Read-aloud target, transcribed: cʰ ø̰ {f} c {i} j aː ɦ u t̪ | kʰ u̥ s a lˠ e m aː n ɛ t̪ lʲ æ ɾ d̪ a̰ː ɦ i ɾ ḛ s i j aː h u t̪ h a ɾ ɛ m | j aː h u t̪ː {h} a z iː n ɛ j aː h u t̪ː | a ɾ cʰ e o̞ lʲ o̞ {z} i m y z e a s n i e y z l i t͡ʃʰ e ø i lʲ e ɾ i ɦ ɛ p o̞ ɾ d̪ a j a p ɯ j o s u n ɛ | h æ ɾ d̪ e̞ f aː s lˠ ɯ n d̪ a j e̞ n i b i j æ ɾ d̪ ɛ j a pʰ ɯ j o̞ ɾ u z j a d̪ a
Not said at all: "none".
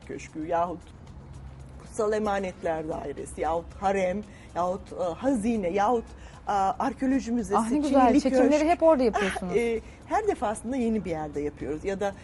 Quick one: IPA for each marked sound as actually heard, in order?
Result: ʃ, y, h, ʒ

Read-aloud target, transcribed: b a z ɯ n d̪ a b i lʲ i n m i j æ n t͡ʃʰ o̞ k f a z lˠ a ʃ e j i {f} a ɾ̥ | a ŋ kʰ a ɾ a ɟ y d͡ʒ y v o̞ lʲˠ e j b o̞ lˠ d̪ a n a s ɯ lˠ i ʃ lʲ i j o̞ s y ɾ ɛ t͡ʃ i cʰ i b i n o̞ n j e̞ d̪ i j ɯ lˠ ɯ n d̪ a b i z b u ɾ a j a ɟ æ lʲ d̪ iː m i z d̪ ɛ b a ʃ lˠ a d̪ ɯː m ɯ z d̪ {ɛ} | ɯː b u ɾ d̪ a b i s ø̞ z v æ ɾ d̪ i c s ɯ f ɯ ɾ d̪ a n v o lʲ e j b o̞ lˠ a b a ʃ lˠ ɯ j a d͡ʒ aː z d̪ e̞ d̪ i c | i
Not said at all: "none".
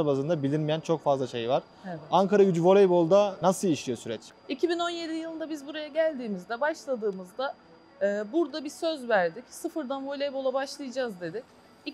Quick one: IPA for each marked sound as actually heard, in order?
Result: v, a

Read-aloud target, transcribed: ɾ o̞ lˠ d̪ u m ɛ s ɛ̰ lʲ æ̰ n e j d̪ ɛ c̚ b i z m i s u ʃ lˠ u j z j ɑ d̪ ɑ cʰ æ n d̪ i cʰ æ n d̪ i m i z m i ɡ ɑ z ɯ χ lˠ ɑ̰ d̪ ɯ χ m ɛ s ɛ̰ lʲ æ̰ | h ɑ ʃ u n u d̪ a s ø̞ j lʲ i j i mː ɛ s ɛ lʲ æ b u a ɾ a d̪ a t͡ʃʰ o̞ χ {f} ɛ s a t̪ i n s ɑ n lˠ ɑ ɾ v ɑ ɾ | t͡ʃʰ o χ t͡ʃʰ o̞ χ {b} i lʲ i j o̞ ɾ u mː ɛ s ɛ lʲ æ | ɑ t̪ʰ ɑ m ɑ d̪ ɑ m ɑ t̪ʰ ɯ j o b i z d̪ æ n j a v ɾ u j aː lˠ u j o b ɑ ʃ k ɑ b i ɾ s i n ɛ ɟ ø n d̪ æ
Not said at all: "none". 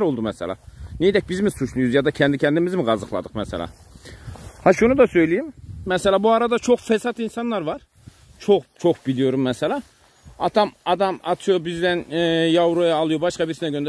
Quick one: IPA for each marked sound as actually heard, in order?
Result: f, b

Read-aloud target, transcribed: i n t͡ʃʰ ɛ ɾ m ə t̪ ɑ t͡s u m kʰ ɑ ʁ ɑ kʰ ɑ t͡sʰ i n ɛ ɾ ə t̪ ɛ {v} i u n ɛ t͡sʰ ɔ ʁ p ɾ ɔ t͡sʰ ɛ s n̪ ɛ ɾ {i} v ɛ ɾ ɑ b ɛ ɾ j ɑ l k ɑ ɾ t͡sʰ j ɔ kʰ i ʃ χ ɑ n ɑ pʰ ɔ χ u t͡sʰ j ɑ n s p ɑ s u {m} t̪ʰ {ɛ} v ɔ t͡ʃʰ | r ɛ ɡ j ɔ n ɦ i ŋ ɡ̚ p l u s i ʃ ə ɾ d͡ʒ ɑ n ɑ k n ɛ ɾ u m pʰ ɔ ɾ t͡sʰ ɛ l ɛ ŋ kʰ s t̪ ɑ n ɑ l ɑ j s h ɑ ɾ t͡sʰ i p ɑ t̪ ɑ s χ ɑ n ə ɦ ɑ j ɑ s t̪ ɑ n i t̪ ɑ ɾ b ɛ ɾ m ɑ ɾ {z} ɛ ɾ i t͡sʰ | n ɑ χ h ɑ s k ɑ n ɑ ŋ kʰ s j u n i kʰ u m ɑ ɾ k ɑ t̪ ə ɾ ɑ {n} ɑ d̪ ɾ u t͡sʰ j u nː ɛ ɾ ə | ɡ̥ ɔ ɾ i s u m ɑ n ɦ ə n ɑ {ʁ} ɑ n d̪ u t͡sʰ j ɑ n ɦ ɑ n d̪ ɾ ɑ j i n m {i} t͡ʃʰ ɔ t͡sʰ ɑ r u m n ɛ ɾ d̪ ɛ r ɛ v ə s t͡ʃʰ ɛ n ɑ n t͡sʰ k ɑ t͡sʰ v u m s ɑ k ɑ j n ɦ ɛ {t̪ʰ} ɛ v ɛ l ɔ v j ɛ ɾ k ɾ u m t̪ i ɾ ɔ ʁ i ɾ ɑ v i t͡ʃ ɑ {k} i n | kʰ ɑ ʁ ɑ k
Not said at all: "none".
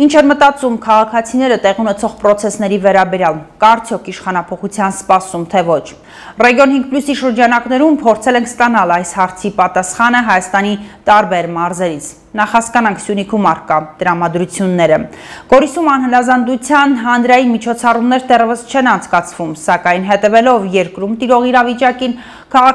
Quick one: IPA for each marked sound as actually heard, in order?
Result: ʁ, i, m, ɛ, z, m, z, i, t̪, k

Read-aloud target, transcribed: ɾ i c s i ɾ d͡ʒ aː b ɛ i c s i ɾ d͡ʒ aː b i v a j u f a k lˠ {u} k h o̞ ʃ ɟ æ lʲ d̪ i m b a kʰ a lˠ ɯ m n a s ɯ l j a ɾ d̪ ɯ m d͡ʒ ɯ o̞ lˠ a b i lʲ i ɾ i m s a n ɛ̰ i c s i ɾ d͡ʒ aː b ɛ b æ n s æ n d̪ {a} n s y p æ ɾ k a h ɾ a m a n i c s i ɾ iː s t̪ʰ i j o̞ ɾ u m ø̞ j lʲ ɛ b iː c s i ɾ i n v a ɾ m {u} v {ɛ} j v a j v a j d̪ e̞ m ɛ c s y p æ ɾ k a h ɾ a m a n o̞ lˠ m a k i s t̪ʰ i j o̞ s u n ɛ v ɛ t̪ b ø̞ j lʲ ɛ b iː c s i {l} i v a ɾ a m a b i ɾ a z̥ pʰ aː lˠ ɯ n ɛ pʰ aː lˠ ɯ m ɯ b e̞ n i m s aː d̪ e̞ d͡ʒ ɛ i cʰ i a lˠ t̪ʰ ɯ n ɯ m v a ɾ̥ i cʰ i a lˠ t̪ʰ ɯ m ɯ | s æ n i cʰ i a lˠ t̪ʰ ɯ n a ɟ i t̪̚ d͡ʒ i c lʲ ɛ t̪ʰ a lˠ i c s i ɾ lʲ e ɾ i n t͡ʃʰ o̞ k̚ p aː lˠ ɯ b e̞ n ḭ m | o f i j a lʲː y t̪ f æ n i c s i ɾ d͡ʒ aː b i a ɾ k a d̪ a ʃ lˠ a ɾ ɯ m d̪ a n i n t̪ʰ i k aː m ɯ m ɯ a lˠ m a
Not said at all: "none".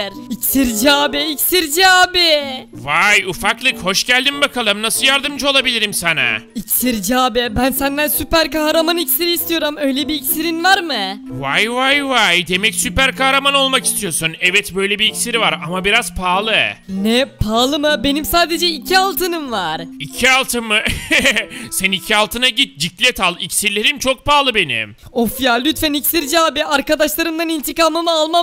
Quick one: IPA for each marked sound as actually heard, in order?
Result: ɯ, æ, ɯ, a, ɾ

